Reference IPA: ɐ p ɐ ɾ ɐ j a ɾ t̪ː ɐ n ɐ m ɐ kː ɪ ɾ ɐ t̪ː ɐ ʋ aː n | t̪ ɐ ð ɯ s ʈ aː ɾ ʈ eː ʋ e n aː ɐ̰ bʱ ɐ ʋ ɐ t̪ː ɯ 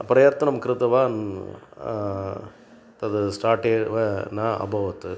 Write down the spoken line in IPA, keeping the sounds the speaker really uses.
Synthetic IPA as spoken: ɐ p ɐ ɾ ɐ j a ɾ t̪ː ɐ n ɐ m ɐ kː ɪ ɾ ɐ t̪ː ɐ ʋ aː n | t̪ ɐ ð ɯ s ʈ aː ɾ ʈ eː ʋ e n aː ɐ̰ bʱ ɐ ʋ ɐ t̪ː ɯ